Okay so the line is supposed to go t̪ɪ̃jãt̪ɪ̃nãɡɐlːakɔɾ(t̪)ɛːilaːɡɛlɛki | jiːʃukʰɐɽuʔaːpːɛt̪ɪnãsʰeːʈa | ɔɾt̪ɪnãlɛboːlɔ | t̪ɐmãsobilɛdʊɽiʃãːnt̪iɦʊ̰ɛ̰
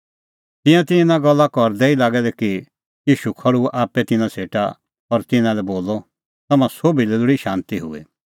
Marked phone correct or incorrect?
incorrect